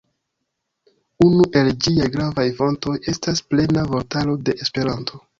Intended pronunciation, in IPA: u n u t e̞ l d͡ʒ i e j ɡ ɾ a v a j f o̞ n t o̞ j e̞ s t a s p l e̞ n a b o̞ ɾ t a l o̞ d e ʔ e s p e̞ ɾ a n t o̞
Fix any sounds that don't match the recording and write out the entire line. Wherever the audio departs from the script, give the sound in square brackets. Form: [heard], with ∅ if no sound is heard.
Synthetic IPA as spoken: u n u [ʔ] e̞ l d͡ʒ i [a] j ɡ ɾ a v a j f o̞ n t o̞ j e̞ s t a s p l e̞ n a [v] o̞ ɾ t a l o̞ d e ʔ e s p e̞ ɾ a n t o̞